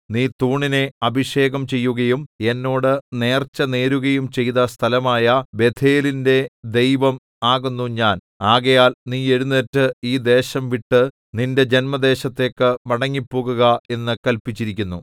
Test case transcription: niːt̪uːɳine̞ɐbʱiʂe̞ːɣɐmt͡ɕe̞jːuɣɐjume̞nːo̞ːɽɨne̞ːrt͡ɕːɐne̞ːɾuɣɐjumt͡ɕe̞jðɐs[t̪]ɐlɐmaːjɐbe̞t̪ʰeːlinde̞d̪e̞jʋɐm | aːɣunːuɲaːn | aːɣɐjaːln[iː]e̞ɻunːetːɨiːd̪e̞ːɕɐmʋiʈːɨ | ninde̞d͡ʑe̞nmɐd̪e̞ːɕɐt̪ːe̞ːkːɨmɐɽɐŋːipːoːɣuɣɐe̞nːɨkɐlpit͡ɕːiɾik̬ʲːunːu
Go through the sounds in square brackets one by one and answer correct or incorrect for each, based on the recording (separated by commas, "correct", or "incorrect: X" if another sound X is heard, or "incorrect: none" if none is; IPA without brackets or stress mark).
incorrect: t̪ʰ, correct